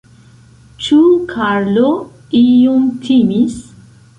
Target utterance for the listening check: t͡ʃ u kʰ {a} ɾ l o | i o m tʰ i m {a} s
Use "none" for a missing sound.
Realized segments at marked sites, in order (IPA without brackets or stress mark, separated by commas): a, i